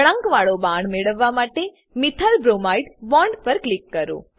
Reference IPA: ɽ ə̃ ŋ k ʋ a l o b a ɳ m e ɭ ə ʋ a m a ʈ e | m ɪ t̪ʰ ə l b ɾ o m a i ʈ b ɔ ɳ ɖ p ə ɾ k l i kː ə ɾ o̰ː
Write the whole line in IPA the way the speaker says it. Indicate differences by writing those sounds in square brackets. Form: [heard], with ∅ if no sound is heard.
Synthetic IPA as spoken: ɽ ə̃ ŋ k ʋ a [ɭ] o b a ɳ m e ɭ ə [ʋː] a m a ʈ e | m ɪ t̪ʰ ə l b ɾ o m a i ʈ b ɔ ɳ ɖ p ə ɾ k l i kː ə ɾ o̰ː